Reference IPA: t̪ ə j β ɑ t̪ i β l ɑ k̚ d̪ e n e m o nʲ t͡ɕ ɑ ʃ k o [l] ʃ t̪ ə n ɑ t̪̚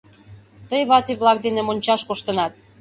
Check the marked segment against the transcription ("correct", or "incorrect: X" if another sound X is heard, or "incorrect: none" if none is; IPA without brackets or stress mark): incorrect: none